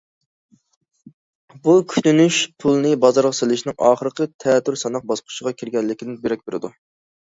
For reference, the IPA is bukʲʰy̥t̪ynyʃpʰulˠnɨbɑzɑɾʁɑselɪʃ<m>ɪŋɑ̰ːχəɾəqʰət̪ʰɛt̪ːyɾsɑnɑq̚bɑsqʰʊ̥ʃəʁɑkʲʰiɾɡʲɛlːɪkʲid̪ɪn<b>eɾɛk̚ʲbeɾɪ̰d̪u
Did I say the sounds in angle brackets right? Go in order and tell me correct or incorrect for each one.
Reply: incorrect: n, correct

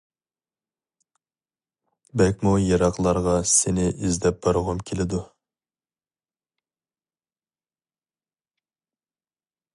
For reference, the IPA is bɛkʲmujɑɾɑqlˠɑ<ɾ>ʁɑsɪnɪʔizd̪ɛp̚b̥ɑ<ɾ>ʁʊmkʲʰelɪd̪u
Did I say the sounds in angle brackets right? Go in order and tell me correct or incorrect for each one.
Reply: correct, correct

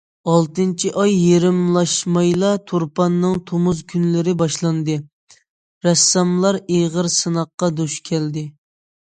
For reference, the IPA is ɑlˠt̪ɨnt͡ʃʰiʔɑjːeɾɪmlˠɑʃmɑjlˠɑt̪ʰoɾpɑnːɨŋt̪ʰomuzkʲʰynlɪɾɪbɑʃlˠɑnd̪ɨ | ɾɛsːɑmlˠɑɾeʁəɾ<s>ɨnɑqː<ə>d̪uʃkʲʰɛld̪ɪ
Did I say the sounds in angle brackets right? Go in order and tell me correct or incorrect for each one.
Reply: correct, incorrect: ɑ

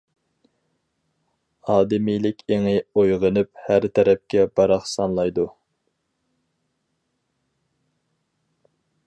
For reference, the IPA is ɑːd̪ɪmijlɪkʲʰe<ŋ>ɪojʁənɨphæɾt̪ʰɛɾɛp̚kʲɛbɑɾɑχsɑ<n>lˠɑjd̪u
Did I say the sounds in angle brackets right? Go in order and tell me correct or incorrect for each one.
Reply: correct, correct

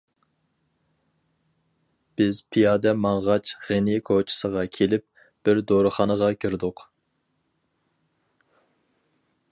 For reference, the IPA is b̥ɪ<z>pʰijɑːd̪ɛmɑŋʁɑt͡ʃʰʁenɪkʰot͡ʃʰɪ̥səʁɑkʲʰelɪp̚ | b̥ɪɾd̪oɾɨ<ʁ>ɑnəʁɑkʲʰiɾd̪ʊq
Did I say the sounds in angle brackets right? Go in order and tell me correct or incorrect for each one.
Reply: correct, incorrect: χ

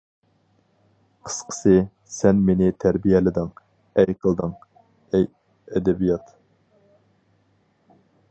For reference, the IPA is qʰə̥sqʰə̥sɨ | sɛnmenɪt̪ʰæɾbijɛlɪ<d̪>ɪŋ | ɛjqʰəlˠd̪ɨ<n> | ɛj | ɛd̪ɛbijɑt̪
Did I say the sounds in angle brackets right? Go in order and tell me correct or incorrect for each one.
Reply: correct, incorrect: ŋ

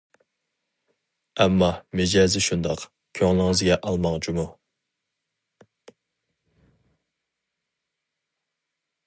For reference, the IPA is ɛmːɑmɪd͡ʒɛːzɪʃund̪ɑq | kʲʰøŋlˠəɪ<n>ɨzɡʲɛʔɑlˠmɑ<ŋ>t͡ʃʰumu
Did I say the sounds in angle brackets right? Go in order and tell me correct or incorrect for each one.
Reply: incorrect: ŋ, correct

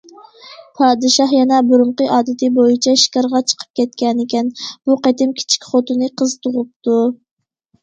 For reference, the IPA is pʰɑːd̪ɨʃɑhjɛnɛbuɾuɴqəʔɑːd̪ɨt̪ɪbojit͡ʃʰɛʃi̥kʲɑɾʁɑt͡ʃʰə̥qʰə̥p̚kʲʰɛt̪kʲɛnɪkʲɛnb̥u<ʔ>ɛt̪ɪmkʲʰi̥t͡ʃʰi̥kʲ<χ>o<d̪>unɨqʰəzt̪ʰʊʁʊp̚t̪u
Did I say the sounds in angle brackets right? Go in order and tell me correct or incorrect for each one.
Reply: incorrect: q, correct, incorrect: t̪

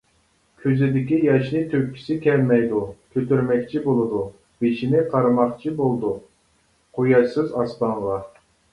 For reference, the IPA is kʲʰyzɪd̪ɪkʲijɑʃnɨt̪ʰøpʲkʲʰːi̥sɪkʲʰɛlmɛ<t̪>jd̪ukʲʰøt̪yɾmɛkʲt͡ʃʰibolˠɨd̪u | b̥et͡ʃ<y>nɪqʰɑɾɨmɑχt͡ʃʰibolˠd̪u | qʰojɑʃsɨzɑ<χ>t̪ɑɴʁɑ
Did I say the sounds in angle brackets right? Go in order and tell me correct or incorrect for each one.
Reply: incorrect: none, incorrect: i, incorrect: s

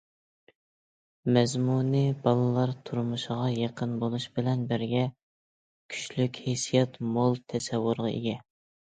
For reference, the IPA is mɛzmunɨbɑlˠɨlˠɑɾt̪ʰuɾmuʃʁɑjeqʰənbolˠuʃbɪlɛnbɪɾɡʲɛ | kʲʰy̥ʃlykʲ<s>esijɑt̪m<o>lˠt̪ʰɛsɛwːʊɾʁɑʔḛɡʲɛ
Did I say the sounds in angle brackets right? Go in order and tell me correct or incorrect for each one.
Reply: incorrect: h, correct

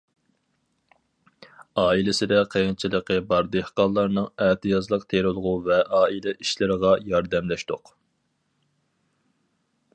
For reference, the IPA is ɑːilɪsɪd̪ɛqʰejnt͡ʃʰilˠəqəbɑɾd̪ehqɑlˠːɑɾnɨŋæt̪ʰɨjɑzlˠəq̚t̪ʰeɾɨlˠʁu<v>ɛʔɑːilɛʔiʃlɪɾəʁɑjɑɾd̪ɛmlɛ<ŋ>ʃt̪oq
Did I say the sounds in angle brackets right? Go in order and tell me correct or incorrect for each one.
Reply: correct, incorrect: none

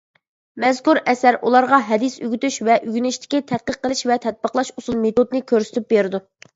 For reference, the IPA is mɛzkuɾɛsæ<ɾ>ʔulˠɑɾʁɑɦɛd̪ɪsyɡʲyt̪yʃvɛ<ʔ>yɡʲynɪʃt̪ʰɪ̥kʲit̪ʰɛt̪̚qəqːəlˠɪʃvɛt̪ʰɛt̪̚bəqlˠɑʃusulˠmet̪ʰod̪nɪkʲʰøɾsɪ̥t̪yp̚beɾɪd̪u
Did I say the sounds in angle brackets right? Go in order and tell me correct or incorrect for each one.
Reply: correct, correct

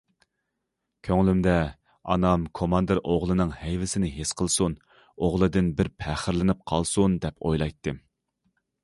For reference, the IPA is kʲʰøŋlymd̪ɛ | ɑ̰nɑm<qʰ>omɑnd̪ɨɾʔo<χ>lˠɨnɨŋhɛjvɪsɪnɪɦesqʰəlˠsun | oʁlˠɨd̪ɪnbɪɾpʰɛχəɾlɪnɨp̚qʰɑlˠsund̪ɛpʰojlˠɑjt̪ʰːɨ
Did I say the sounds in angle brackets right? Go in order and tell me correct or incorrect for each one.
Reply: incorrect: kʰ, incorrect: ʁ

